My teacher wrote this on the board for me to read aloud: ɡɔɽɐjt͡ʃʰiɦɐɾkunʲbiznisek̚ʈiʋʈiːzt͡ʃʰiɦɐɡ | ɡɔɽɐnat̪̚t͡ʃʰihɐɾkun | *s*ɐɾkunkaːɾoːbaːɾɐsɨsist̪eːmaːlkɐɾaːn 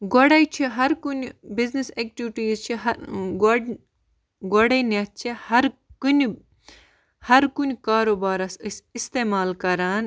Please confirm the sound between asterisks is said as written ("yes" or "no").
no